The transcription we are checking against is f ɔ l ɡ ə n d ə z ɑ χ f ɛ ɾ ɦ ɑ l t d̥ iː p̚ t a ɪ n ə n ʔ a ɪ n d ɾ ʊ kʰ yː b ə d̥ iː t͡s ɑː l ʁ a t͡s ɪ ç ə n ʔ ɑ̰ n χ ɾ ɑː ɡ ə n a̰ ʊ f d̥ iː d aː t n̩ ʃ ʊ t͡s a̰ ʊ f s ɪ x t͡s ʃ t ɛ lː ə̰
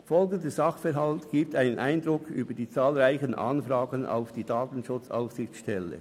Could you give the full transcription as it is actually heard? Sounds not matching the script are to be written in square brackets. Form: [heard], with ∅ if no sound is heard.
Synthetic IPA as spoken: f ɔ l ɡ ə n d ə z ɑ χ f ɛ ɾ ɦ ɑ l t [ɡ̥] iː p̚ t a ɪ n ə n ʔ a ɪ n d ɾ ʊ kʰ yː b ə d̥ iː t͡s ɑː l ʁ a [∅] ɪ ç ə n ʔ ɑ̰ n [f] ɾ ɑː ɡ ə n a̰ ʊ f d̥ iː d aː t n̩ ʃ ʊ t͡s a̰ ʊ f s ɪ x t͡s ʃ t ɛ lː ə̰